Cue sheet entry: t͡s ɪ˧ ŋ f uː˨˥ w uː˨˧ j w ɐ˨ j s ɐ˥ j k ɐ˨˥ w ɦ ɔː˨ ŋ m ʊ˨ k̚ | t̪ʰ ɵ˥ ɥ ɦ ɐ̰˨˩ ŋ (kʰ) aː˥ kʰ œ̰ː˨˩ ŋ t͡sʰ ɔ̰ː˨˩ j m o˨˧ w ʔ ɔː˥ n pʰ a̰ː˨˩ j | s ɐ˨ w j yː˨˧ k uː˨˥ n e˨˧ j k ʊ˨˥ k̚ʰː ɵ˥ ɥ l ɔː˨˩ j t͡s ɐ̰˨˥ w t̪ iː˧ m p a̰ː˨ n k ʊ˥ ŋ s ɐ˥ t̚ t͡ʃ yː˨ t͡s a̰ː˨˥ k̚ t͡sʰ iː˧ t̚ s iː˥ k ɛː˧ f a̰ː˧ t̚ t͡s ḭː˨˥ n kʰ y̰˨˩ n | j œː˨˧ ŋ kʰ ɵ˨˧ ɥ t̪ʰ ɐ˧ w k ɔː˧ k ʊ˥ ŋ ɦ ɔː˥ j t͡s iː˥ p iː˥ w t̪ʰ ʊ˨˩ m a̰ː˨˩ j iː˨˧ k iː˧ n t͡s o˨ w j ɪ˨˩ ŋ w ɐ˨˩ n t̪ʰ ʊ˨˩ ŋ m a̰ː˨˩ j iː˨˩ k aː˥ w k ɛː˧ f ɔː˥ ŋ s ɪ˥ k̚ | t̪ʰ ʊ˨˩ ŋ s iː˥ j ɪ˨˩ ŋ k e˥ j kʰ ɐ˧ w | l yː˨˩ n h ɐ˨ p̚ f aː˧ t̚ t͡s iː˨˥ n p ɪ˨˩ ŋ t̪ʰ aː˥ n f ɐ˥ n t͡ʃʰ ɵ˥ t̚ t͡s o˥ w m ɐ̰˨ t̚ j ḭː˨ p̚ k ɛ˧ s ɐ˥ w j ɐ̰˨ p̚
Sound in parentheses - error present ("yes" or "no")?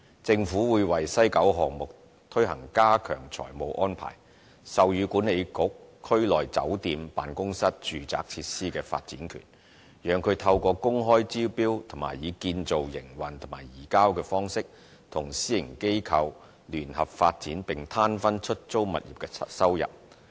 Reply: yes